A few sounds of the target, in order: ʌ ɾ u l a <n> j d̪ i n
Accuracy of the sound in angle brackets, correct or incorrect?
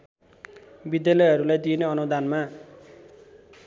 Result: incorrect